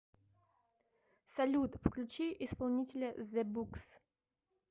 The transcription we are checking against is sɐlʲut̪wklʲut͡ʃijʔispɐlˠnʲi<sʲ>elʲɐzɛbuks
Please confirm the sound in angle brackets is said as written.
no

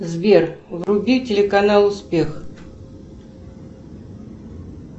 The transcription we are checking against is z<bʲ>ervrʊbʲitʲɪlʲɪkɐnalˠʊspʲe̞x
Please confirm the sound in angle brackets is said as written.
no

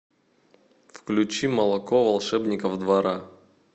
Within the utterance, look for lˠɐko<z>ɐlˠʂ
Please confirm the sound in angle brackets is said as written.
no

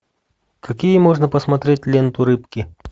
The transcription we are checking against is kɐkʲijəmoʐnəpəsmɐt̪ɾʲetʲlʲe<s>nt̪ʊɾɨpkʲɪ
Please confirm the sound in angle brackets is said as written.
no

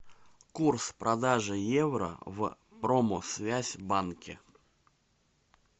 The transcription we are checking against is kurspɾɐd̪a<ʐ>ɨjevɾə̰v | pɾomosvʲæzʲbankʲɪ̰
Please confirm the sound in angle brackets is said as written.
yes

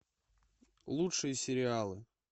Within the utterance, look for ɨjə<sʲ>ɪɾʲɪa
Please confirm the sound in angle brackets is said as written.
yes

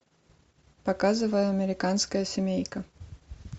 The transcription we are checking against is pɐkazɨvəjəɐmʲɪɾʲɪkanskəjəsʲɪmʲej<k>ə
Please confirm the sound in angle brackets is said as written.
yes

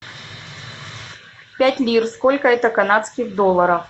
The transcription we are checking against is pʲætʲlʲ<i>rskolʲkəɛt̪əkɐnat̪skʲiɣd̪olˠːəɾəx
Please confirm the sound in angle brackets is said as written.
yes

